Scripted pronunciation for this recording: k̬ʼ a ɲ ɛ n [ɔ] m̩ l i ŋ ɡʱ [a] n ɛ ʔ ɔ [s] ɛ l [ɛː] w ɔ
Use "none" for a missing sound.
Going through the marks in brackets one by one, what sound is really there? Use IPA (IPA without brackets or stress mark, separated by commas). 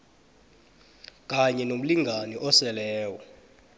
o, a, s, ɛː